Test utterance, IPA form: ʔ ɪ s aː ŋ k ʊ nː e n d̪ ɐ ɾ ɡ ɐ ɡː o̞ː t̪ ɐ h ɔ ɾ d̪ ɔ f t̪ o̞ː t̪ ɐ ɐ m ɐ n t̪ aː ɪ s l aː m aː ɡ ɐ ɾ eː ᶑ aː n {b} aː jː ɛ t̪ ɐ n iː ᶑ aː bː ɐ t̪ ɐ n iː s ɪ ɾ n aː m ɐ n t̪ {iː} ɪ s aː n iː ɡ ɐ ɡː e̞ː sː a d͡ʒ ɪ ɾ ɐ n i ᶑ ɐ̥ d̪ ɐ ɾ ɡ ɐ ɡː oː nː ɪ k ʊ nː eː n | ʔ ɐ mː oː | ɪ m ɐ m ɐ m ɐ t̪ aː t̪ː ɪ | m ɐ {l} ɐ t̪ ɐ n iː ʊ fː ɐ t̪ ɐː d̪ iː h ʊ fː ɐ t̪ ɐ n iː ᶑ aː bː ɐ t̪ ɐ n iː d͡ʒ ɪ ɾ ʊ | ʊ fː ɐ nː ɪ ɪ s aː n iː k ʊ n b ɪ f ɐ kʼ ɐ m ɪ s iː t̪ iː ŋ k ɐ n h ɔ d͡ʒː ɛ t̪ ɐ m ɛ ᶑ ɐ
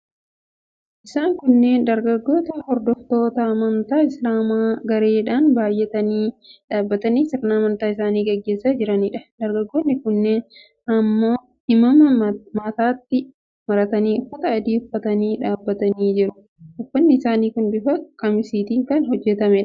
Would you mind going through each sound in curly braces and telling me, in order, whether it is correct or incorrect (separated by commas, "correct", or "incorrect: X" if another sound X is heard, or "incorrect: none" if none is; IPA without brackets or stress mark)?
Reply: correct, incorrect: aː, incorrect: ɾ